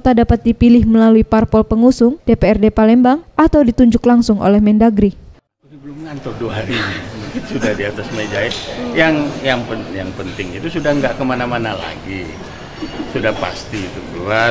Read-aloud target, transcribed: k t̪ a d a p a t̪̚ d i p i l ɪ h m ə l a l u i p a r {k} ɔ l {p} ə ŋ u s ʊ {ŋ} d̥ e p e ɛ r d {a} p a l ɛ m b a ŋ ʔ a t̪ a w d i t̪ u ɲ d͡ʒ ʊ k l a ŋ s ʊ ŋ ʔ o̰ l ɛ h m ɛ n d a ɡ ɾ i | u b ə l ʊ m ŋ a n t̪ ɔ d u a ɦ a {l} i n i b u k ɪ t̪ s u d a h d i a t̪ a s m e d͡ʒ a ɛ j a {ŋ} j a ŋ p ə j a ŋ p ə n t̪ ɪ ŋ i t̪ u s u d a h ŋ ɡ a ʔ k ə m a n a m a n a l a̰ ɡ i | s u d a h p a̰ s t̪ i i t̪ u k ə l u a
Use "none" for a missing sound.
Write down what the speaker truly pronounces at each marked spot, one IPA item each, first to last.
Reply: p, p, ŋ, e, ɾ, ŋ

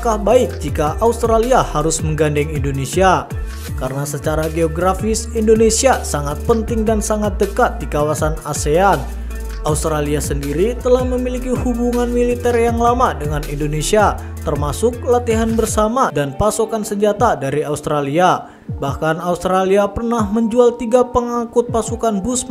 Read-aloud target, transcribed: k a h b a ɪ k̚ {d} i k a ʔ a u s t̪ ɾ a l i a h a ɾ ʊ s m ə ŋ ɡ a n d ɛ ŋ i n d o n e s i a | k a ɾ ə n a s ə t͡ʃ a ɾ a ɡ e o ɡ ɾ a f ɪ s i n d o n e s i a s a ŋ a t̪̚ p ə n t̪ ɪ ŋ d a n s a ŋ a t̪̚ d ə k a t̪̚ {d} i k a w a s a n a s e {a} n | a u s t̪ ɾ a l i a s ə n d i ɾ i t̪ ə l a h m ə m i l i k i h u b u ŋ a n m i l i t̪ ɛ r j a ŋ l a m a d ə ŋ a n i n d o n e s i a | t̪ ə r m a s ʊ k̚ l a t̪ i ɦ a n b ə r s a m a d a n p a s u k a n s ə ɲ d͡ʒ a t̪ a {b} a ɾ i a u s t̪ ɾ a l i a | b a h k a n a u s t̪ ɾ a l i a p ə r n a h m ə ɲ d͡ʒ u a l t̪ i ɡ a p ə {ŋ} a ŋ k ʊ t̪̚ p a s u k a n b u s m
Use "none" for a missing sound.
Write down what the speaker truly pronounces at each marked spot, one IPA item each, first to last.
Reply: d͡ʒ, d, a, d, ŋ

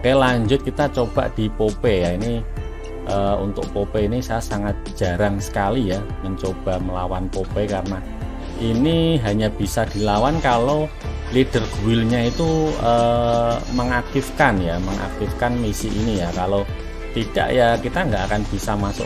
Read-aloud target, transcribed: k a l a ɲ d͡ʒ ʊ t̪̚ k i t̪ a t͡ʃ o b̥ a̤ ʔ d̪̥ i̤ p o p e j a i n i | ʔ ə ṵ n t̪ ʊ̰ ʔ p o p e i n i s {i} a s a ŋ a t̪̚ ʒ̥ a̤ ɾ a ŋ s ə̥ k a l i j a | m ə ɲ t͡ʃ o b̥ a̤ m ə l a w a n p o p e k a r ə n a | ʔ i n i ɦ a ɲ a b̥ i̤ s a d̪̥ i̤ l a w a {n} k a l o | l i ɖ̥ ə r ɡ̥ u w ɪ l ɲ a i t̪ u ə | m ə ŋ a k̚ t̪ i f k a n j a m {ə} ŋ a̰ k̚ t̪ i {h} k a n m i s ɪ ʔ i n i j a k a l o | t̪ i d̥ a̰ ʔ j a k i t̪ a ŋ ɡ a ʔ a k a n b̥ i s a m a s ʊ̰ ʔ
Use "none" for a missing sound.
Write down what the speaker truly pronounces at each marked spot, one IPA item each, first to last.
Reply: a, n, ə, f

